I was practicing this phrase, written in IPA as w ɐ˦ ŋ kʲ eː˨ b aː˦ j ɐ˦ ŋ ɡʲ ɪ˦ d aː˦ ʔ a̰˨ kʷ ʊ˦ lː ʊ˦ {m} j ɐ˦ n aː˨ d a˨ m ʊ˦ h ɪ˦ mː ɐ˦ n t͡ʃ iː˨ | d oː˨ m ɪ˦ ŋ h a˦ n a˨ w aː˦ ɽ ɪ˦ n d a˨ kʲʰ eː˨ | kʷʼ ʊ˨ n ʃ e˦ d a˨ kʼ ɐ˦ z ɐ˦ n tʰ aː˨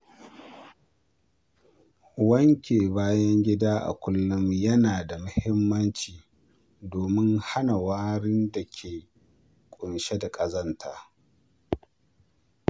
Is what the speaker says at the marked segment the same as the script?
yes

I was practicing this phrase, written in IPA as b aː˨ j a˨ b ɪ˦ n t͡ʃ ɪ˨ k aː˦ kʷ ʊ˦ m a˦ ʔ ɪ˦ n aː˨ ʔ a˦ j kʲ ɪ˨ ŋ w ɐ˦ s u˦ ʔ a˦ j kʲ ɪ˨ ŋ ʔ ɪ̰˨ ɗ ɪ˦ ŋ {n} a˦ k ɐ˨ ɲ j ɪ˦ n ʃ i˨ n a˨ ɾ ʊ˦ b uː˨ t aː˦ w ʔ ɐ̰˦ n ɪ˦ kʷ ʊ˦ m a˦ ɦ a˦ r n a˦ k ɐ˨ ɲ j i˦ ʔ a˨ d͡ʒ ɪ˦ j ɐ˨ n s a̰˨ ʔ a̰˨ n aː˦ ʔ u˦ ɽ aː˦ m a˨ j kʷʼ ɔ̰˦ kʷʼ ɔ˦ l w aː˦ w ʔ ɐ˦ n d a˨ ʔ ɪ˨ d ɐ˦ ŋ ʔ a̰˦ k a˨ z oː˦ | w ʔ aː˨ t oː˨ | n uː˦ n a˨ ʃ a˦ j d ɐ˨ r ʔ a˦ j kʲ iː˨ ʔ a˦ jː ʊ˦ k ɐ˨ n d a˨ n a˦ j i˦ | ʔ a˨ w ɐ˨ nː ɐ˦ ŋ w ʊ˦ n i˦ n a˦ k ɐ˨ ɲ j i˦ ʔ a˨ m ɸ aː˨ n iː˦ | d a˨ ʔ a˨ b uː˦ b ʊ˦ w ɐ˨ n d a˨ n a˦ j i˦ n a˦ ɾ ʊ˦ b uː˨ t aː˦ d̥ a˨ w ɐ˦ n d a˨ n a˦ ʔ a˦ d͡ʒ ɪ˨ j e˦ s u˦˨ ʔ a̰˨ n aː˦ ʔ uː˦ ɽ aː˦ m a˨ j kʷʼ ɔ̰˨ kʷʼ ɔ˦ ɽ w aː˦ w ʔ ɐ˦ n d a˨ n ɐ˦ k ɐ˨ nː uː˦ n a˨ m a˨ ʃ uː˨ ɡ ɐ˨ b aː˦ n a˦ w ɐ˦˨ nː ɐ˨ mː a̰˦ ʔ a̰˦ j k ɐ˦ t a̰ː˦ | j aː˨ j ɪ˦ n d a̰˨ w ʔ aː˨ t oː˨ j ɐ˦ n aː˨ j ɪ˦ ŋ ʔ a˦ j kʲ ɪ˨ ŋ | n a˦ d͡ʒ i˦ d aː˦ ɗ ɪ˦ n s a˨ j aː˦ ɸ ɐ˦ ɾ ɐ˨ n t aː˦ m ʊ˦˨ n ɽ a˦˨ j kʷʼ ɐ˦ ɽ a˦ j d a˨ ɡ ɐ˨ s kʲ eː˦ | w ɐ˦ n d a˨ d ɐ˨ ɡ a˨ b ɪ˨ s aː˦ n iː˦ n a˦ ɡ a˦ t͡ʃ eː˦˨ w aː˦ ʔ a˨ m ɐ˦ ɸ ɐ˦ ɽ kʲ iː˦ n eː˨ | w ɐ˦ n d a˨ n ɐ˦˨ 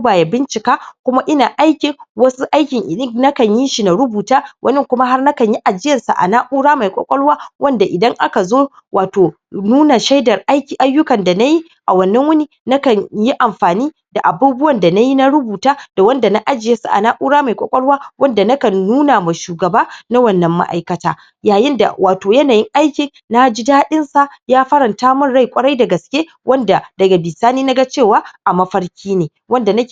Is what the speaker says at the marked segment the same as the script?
yes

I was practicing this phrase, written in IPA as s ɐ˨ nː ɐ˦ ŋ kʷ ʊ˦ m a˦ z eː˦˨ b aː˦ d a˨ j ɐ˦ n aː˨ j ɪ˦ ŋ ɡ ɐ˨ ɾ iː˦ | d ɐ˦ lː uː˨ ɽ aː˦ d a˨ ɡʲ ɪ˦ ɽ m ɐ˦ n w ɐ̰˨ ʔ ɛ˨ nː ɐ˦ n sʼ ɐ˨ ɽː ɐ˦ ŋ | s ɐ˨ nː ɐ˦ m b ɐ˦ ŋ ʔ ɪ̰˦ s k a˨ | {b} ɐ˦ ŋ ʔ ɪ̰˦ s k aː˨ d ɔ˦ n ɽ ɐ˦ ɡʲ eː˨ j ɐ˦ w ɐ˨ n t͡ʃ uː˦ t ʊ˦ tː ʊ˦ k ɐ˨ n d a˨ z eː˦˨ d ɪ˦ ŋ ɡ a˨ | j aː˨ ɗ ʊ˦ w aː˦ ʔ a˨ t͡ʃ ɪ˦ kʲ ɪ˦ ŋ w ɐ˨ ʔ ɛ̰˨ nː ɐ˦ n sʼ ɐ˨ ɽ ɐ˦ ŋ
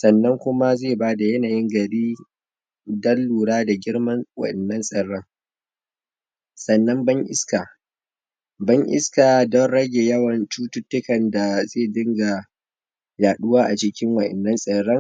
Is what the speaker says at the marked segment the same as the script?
yes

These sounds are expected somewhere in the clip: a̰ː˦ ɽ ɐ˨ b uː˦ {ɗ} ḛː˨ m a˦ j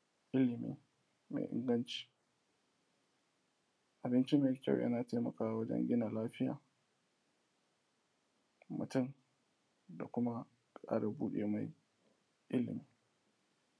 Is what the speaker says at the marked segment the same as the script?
yes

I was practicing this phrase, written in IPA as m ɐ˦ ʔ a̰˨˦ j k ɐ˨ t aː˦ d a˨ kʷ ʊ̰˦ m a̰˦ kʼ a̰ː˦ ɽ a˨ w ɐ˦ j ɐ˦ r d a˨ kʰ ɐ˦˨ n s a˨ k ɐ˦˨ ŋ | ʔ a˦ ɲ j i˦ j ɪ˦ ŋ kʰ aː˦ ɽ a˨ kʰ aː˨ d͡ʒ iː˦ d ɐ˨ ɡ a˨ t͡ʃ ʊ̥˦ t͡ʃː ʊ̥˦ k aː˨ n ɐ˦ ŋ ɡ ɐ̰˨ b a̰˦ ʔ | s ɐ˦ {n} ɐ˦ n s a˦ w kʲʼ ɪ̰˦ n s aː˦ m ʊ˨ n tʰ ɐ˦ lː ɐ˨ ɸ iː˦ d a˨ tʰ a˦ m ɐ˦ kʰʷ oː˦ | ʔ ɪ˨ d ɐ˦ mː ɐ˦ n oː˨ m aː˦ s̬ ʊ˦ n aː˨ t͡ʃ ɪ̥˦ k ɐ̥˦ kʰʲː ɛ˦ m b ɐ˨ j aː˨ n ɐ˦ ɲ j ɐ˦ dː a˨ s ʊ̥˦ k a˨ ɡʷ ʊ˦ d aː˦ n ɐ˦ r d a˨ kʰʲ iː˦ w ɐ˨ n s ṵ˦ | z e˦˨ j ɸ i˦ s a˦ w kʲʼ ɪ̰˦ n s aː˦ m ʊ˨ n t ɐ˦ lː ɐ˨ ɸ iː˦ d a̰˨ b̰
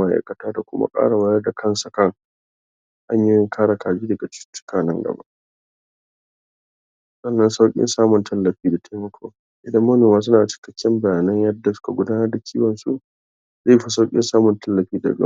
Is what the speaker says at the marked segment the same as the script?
no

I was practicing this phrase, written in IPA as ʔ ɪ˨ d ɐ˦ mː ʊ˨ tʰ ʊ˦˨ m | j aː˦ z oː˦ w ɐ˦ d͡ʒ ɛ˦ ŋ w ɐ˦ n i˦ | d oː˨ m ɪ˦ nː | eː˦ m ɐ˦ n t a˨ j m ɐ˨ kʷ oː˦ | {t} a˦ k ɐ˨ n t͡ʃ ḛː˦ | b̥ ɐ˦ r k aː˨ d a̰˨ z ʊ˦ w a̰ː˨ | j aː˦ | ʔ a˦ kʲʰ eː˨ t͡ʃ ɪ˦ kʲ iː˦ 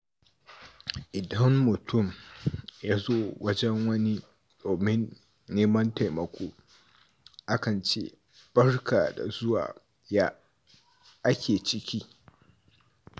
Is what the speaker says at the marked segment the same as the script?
no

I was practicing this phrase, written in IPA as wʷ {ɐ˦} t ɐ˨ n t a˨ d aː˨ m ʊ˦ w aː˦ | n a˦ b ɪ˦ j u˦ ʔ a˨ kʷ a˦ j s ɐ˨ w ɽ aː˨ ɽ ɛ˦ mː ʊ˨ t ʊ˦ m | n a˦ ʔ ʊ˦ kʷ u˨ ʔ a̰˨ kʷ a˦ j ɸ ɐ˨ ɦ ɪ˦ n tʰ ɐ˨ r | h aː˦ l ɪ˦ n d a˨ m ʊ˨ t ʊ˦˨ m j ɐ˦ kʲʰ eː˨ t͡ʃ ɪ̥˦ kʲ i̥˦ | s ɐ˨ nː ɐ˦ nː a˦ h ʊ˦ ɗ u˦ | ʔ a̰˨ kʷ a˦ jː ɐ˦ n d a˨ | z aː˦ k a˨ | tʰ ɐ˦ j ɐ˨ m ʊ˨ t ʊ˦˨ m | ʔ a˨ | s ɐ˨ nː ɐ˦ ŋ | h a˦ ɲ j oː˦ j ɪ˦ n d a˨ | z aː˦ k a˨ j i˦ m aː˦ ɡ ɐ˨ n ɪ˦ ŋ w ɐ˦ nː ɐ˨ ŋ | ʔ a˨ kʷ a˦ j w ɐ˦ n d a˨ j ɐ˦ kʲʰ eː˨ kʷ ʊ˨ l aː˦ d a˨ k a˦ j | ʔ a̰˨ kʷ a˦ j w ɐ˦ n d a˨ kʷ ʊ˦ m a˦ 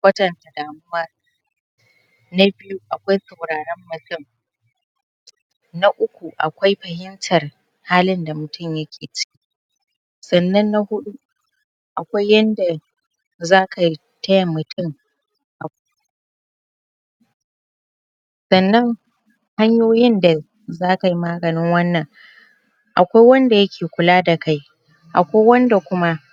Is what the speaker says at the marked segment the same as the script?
yes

